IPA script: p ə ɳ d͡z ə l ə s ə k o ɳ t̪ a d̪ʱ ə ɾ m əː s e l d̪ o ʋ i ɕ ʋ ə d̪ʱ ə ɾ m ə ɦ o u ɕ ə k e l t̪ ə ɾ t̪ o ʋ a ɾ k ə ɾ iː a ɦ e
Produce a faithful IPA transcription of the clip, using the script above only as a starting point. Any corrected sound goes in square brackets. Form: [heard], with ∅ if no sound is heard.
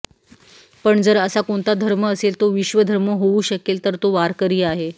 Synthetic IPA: p ə ɳ d͡z ə [ɾ] ə s [a] k o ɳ t̪ a d̪ʱ ə ɾ m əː s e l [t̪] o ʋ i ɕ ʋ ə d̪ʱ ə ɾ m ə ɦ o u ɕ ə k e l t̪ ə ɾ t̪ o ʋ a ɾ k ə ɾ iː a ɦ e

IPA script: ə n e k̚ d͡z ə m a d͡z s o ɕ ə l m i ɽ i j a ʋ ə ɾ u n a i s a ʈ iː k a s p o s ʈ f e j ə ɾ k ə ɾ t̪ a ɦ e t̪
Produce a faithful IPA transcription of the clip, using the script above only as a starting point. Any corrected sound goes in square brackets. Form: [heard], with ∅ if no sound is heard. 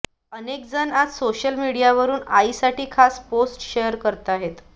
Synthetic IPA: ə n e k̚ d͡z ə [n] a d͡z s o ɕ ə l m i ɽ i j a ʋ ə ɾ [uː] n a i s a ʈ iː [kʰ] a s p o s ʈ [ɕ] e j ə ɾ k ə ɾ t̪ a ɦ e t̪

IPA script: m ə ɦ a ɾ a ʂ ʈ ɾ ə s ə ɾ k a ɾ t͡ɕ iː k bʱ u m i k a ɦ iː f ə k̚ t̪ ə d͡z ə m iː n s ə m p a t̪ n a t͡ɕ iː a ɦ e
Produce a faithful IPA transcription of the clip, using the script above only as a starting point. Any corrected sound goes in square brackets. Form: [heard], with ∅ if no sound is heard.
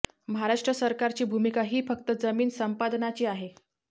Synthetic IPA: m ə ɦ a ɾ a ʂ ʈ ɾ ə s ə ɾ k a ɾ t͡ɕ iː [∅] bʱ u m i k a ɦ iː f ə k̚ t̪ ə d͡z ə m iː n s ə m p a [d̪] n a t͡ɕ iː a ɦ e

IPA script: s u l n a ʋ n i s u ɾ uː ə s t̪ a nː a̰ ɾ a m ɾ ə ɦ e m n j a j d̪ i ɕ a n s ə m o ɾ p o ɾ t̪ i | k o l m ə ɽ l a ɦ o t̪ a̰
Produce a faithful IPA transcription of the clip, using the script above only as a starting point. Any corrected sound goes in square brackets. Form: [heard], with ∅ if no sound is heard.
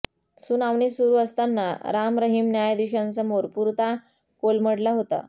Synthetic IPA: s u [∅] n a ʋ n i s u ɾ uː ə s t̪ a nː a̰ ɾ a m ɾ ə ɦ [i] m n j a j d̪ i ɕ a n s ə m o ɾ p [u] ɾ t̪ [a] | k o l m ə ɽ l a ɦ o t̪ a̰

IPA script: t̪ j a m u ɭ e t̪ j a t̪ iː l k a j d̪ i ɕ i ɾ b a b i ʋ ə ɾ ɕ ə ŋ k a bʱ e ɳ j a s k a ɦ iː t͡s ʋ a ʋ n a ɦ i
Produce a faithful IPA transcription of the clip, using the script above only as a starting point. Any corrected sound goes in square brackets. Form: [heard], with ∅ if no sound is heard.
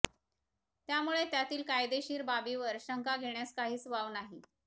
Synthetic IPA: t̪ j a m u ɭ e t̪ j a t̪ iː l k a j d̪ [e] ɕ [iː] ɾ b a b i ʋ ə ɾ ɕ ə ŋ k a [ɡʱ] e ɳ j a s k a ɦ iː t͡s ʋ a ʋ n a ɦ i

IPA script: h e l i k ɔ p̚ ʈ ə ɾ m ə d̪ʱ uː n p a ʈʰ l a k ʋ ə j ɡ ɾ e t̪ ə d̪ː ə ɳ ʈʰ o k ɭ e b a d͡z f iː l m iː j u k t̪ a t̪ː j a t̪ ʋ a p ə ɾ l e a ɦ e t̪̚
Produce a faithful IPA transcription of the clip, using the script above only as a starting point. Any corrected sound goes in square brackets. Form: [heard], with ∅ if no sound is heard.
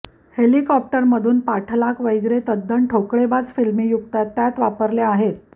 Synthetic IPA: h e l i k ɔ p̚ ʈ ə ɾ m ə d̪ʱ uː n p a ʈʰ l a k ʋ ə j ɡ ɾ e t̪ ə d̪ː ə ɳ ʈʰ o k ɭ e b a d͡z f [i] l m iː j u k t̪ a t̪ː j a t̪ ʋ a p ə ɾ l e a ɦ e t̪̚

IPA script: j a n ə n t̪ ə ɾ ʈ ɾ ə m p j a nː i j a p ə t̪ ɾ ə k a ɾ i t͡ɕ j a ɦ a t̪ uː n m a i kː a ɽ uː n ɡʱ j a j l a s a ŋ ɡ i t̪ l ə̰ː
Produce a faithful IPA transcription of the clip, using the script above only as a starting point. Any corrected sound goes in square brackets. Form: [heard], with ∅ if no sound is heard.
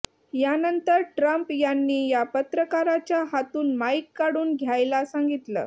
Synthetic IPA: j a n ə n t̪ ə ɾ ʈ ɾ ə m p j a nː [iː] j a p ə t̪ ɾ ə k a ɾ [a] t͡ɕ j a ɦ a t̪ uː n m a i kː a ɽ uː n ɡʱ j a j l a s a ŋ ɡ i t̪ l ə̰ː

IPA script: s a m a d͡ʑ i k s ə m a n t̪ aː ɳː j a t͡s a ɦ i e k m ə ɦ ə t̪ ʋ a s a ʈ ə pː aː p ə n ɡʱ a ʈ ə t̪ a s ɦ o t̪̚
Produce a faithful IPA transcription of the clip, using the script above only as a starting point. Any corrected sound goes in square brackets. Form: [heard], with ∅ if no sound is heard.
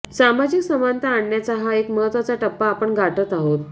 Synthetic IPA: s a m a d͡ʑ i k s ə m a n t̪ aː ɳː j a t͡s a ɦ [a] e k m ə ɦ ə t̪ ʋ a [t͡s] a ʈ ə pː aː p ə [ɳ] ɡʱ a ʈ ə t̪ a [∅] ɦ o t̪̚

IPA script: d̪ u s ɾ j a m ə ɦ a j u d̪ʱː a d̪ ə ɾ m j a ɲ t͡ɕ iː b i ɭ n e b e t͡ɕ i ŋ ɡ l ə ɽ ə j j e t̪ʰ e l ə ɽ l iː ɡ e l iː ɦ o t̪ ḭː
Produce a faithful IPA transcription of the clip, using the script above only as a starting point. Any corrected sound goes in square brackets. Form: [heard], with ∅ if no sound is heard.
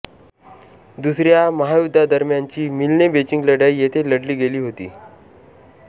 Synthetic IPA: d̪ u s ɾ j a m ə ɦ a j u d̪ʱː a d̪ ə ɾ m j a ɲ t͡ɕ iː [m] i [l] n e b e t͡ɕ i ŋ ɡ l ə ɽ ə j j e t̪ʰ e l ə ɽ l iː ɡ e l iː ɦ o t̪ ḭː

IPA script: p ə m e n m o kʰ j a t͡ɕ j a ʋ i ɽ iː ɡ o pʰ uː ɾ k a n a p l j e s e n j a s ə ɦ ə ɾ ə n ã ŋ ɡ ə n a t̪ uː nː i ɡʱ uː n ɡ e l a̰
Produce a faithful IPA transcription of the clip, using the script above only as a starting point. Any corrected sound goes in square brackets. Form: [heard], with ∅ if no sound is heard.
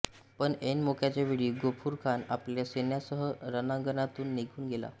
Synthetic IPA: p ə [ɳ] e n m o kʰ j a t͡ɕ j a ʋ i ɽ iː ɡ o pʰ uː ɾ [kʰ] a n a p l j [a] s e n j a s ə ɦ ə ɾ ə n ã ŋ ɡ ə n a t̪ uː nː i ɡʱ uː n ɡ e l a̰

